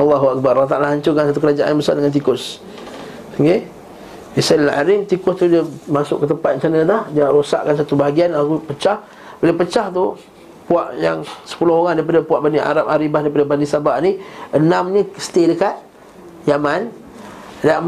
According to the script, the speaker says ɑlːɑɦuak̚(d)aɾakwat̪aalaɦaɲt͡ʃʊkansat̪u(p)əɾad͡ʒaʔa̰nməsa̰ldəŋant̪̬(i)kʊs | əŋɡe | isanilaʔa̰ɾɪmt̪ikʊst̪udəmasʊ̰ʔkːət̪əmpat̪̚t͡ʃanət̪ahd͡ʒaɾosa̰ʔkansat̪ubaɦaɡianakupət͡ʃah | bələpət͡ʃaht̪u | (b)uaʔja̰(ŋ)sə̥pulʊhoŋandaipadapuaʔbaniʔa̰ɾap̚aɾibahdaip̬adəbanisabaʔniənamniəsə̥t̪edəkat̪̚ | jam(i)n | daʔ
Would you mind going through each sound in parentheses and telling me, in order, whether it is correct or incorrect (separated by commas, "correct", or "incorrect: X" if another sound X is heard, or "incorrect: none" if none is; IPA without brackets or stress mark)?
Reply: incorrect: b, incorrect: k, correct, incorrect: p, correct, incorrect: a